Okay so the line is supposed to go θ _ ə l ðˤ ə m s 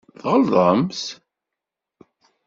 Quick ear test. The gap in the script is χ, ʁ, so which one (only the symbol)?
ʁ